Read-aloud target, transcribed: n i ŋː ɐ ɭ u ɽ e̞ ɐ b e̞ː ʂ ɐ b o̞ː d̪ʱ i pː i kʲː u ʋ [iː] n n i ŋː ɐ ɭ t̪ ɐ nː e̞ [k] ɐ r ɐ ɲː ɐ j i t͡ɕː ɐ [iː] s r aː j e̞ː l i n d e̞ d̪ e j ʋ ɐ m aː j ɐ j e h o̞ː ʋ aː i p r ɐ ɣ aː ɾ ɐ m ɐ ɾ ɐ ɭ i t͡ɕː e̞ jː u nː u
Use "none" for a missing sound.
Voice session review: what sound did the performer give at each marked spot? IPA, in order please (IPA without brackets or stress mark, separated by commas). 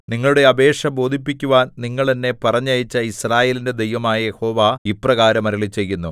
aː, p, i